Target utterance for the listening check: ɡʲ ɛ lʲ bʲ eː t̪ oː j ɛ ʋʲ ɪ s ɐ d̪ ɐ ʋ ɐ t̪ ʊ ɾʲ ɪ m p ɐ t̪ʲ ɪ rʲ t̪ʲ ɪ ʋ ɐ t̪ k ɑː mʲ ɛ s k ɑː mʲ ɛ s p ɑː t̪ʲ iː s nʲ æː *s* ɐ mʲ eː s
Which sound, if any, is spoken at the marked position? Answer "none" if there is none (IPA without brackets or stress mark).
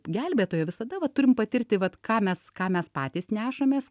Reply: ʃ